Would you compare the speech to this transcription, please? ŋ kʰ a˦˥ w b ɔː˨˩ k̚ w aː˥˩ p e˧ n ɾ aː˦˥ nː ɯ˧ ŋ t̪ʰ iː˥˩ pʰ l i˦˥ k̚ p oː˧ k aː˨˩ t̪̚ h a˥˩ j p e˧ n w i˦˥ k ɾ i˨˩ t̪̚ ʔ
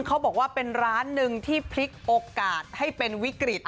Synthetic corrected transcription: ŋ kʰ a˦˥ w b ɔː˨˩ k̚ w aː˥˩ p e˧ n ɾ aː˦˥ nː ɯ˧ ŋ t̪ʰ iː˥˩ pʰ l i˦˥ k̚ ʔ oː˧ k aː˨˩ t̪̚ h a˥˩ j p e˧ n w i˦˥ k ɾ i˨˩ t̪̚ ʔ